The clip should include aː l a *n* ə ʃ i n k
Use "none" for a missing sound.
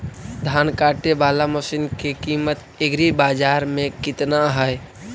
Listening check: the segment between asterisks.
m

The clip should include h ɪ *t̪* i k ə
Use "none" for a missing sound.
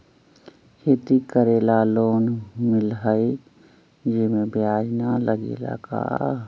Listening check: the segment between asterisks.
t̪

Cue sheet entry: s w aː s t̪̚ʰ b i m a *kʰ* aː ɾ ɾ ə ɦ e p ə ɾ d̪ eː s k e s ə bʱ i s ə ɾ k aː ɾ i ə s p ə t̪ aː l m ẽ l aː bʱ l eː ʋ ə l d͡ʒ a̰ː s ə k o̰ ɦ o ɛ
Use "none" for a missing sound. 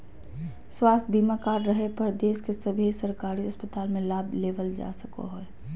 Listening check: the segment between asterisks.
k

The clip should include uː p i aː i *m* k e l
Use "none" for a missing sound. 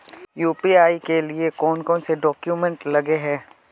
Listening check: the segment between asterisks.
none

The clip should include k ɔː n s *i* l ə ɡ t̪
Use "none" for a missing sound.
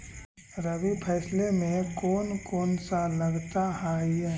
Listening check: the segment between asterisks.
a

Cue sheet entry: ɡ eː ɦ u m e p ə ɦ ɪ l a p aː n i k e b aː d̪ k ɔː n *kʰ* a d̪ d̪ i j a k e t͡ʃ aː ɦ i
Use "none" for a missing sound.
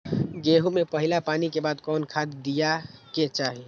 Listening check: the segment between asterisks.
kʰ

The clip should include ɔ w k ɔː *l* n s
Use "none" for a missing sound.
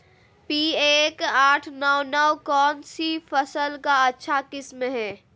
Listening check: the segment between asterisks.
none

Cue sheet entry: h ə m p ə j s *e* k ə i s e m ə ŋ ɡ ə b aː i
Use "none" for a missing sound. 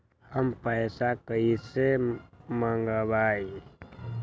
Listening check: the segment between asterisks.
a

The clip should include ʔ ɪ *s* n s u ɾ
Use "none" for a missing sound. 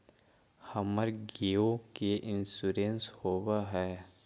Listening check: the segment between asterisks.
none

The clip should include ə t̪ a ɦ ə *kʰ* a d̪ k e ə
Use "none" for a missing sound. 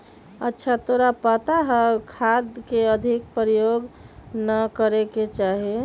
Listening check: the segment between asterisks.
kʰ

